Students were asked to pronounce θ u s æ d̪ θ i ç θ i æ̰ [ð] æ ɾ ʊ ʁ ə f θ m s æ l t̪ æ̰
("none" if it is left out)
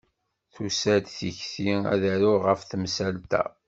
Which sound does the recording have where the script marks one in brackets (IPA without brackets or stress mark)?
ð